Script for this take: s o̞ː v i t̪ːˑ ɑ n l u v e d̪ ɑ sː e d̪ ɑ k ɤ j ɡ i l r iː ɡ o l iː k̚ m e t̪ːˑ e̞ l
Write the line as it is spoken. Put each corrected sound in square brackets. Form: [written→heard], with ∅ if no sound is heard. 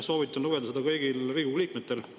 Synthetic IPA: s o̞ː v i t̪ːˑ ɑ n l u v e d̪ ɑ [sː→s] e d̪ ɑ k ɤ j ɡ i l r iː ɡ [o→u] l iː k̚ m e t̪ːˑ e̞ l